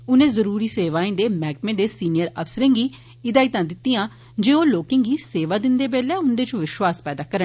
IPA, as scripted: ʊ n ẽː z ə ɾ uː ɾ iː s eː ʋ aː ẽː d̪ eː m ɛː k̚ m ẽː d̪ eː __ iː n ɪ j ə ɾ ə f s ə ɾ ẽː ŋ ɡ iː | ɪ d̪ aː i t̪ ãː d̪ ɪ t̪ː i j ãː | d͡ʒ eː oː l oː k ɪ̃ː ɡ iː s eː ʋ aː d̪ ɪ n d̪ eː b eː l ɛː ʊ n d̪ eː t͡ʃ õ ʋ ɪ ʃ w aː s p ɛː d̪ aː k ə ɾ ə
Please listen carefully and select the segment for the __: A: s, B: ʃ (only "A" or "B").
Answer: A